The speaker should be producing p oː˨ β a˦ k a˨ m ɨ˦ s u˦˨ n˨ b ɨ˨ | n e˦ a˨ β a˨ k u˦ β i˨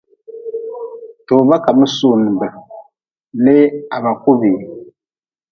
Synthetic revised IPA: t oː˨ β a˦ k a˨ m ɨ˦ s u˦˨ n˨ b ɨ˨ | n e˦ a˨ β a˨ k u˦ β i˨